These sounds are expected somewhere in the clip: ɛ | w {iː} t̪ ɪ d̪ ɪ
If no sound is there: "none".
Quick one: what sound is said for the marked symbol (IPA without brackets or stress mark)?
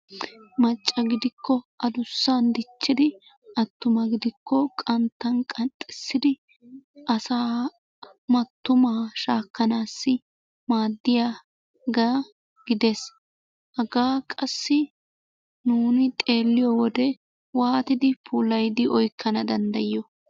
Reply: aː